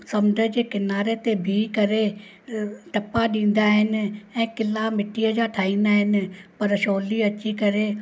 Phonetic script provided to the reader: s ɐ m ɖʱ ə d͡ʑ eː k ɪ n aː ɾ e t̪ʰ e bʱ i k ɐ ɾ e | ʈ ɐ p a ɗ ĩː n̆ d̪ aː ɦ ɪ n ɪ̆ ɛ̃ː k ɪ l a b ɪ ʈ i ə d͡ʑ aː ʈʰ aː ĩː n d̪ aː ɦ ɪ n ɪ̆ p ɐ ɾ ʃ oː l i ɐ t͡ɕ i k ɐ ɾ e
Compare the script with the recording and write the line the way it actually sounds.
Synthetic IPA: s ɐ m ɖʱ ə d͡ʑ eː k ɪ n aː ɾ e t̪ e bʱ i k ɐ ɾ e | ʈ ɐ p a ɗ ĩː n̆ d̪ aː ɦ ɪ n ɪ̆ ɛ̃ː k ɪ l a m ɪ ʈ i ə d͡ʑ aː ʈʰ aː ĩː n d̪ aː ɦ ɪ n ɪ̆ p ɐ ɾ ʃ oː l i ɐ t͡ɕ i k ɐ ɾ e